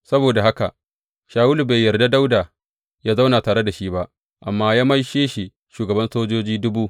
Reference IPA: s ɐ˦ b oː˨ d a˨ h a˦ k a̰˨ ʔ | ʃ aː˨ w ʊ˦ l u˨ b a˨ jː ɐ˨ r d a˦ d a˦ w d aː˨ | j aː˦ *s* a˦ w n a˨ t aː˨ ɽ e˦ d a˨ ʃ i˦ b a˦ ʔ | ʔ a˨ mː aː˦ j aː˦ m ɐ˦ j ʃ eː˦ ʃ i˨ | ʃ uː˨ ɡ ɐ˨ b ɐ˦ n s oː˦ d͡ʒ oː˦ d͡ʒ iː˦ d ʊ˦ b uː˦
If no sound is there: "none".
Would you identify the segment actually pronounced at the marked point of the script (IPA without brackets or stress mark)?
z